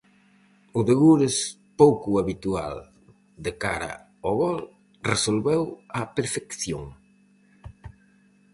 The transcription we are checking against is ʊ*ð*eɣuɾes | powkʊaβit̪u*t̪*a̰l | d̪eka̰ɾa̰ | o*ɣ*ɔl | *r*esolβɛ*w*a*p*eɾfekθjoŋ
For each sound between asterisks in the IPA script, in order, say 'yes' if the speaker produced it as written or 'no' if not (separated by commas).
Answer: yes, no, yes, yes, yes, yes